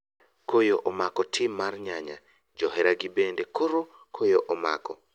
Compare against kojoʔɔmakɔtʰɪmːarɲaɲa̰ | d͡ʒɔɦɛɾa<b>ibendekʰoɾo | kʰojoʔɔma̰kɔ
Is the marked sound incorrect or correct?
incorrect: ɡ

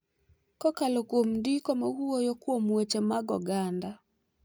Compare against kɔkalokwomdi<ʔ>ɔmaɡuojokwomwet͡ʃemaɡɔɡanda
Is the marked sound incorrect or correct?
incorrect: k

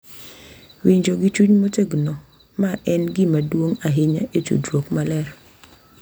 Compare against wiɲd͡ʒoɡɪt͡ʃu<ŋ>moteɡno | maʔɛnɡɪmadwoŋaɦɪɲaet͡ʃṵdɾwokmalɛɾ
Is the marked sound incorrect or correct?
incorrect: ɲ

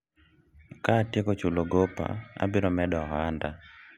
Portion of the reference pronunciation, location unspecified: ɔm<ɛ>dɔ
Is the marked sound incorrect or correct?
correct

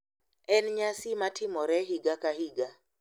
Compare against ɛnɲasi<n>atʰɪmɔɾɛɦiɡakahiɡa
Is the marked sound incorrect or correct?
incorrect: m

